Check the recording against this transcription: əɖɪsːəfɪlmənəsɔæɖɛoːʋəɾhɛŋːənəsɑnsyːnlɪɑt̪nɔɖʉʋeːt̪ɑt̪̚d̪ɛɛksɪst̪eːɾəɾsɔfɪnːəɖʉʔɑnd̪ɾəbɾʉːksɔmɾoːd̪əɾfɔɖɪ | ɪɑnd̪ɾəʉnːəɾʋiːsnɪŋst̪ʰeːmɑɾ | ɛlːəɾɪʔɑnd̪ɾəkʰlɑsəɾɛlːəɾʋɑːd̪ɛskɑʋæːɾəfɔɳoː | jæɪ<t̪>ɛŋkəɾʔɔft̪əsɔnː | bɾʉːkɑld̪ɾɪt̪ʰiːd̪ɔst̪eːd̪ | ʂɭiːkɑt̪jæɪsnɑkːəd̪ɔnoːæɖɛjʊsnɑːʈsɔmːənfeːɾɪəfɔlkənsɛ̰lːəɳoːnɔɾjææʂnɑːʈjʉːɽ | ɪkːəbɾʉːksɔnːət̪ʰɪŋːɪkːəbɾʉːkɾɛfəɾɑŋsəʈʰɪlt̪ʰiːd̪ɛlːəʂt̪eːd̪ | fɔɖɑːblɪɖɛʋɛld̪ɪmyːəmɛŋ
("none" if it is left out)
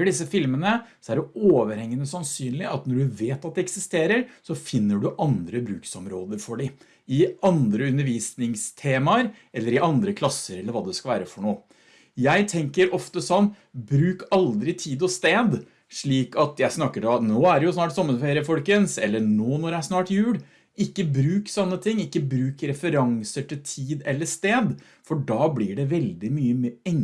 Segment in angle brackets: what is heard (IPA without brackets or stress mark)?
t̪ʰ